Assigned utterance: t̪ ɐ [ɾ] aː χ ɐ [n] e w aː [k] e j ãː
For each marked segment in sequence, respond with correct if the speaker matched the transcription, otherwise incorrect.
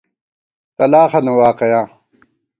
incorrect: l, correct, incorrect: q

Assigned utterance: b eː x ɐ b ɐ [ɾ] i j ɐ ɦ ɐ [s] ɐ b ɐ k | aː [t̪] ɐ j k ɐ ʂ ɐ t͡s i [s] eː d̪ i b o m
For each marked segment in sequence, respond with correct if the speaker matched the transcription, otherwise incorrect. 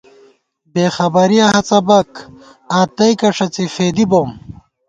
correct, incorrect: t͡s, correct, incorrect: f

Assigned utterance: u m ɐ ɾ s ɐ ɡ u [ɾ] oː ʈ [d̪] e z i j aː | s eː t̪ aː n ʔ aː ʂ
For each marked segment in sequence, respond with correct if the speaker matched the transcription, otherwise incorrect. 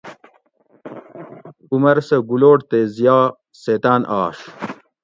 incorrect: l, incorrect: t̪

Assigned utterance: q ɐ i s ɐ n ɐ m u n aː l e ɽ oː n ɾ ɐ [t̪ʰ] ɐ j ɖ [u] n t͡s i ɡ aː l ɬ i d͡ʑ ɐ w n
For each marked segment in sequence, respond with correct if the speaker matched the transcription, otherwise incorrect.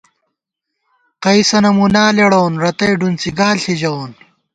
incorrect: t̪, correct

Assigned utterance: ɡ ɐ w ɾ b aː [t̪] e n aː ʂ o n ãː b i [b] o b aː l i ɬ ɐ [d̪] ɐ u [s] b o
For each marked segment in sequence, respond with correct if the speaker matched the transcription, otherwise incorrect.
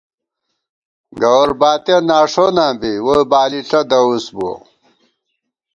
correct, incorrect: w, correct, correct

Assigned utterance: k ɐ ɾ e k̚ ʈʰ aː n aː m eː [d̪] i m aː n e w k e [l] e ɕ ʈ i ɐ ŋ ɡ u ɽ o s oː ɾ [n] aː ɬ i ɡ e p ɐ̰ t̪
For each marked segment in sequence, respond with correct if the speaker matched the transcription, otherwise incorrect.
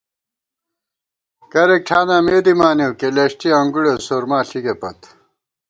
correct, correct, incorrect: m

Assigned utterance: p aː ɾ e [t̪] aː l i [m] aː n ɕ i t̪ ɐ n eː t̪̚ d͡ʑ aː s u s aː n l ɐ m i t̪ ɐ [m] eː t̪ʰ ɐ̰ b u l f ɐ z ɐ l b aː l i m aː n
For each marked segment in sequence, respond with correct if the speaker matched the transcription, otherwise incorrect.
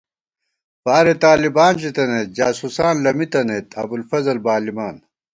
correct, incorrect: b, incorrect: n

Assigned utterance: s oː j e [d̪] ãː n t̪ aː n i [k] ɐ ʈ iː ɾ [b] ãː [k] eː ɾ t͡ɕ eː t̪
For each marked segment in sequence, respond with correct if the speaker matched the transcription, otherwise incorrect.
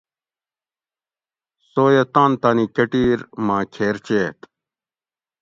incorrect: t̪, correct, incorrect: m, incorrect: kʰ

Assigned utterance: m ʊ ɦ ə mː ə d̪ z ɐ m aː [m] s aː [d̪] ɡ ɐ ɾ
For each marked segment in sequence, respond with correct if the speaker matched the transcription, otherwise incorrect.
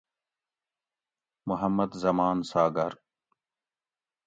incorrect: n, incorrect: none

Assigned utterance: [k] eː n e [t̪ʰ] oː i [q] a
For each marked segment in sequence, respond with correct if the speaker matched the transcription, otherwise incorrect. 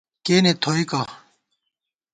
correct, correct, incorrect: k

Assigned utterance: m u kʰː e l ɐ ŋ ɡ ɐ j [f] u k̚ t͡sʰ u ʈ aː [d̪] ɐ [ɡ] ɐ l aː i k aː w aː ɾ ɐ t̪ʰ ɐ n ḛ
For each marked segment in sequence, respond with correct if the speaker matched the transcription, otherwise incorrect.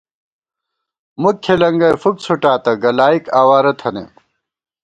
correct, incorrect: t̪, correct

